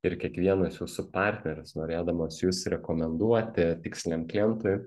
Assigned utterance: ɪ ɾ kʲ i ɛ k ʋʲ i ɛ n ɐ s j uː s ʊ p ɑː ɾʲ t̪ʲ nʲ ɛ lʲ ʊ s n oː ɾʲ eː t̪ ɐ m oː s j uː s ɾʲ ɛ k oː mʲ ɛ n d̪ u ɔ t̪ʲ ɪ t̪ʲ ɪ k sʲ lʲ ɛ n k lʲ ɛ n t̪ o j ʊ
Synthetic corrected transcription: ɪ ɾ kʲ i ɛ k ʋʲ i ɛ n ɐ s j uː s ʊ p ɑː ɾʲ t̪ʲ nʲ ɛ ɾʲ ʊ s n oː ɾʲ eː d̪ ɐ m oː s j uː s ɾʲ ɛ k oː mʲ ɛ n d̪ u ɔ t̪ʲ ɪ t̪ʲ ɪ k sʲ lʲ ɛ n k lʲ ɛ n t̪ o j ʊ

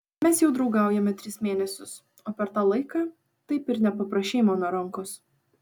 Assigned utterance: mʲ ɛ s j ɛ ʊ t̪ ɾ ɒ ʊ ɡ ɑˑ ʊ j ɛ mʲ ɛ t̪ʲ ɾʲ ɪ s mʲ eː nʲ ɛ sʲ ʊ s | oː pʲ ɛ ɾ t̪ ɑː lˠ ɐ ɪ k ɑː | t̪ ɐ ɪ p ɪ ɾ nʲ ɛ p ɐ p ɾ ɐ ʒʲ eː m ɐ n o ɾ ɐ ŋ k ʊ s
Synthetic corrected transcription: mʲ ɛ s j ɛ ʊ d̪ ɾ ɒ ʊ ɡ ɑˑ ʊ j ɛ mʲ ɛ t̪ʲ ɾʲ ɪ s mʲ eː nʲ ɛ sʲ ʊ s | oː pʲ ɛ ɾ t̪ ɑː lˠ ɐ ɪ k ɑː | t̪ ɐ ɪ p ɪ ɾ nʲ ɛ p ɐ p ɾ ɐ ʃʲ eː m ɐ n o ɾ ɐ ŋ k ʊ s

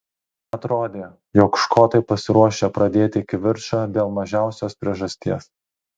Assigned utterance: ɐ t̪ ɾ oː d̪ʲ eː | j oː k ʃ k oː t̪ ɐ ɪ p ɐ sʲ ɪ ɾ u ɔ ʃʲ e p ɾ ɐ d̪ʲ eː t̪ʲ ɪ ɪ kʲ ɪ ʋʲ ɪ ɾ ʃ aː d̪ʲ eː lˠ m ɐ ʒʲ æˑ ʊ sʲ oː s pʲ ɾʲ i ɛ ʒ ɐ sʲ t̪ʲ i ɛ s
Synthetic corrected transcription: ɐ t̪ ɾ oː d̪ʲ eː | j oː k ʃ k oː t̪ ɐ ɪ p ɐ sʲ ɪ ɾ u ɔ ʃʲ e p ɾ ɐ d̪ʲ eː t̪ʲ ɪ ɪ kʲ ɪ ʋʲ ɪ ɾ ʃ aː d̪ʲ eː lˠ m ɐ ʒʲ æˑ ʊ sʲ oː s pʲ ɾʲ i ɛ ʒ ɐ sʲ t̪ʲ i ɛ s

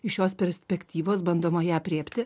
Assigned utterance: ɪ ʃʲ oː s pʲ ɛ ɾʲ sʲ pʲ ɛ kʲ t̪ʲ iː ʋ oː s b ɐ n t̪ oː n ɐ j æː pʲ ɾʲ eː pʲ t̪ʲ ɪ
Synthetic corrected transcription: ɪ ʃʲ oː s pʲ ɛ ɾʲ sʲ pʲ ɛ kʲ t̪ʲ iː ʋ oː s b ɐ n d̪ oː m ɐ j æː pʲ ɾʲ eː pʲ t̪ʲ ɪ

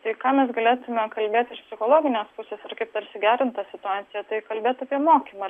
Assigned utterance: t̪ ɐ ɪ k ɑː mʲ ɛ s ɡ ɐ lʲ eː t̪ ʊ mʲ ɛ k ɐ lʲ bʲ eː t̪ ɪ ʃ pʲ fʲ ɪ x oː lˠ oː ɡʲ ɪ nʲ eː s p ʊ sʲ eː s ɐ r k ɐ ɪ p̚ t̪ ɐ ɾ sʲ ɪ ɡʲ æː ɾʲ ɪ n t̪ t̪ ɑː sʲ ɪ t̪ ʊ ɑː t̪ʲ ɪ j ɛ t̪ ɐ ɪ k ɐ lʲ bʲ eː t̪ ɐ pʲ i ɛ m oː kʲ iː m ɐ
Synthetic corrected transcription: t̪ ɐ ɪ k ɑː mʲ ɛ s ɡ ɐ lʲ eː t̪ ʊ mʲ ɛ k ɐ lʲ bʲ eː t̪ ɪ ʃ pʲ sʲ ɪ x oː lˠ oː ɡʲ ɪ nʲ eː s p ʊ sʲ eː s ɐ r k ɐ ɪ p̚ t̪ ɐ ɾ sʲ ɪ ɡʲ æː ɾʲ ɪ n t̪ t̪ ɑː sʲ ɪ t̪ ʊ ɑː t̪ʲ ɪ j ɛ t̪ ɐ ɪ k ɐ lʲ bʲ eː t̪ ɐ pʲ i ɛ m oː kʲ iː m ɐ

